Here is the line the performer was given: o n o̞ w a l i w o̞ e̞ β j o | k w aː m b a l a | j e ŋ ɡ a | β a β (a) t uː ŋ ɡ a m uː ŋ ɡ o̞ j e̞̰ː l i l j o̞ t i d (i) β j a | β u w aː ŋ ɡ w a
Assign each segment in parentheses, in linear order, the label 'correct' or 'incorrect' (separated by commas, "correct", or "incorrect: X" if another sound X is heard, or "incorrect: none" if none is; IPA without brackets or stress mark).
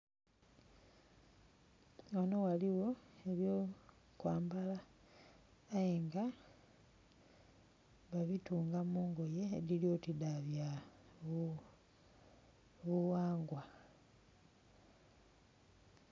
incorrect: i, incorrect: a